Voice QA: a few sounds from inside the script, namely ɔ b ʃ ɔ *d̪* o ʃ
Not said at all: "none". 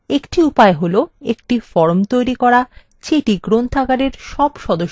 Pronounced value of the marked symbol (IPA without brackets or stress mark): d̪